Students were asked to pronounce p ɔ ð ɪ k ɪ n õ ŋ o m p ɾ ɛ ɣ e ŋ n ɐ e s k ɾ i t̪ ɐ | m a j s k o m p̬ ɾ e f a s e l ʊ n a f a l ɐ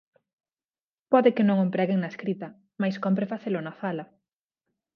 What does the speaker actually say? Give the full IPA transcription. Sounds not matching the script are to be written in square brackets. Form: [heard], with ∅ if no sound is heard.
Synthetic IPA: p ɔ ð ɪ k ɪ n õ ŋ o m p ɾ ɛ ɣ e ŋ n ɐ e s k ɾ i t̪ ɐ | m a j s k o m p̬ ɾ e f a [θ] e l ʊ n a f a l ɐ

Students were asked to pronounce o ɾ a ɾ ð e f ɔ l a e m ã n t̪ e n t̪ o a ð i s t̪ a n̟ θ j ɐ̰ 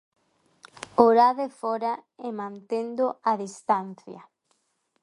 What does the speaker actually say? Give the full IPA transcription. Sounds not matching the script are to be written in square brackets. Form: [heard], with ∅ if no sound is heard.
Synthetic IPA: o ɾ a [∅] ð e f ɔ [ɾ] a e m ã n t̪ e n [d̪] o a ð i s t̪ a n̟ θ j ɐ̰

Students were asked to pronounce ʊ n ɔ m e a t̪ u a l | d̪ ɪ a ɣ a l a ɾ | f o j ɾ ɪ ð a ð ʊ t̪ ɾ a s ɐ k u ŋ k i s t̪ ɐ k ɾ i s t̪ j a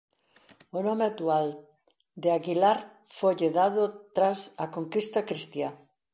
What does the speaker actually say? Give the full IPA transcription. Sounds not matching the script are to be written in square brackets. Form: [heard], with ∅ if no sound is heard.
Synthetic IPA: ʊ n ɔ m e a t̪ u a l | d̪ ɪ a ɣ [i] l a ɾ | f o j [ʎ] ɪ ð a ð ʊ t̪ ɾ a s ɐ k [o] ŋ k i s t̪ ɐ k ɾ i s t̪ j a

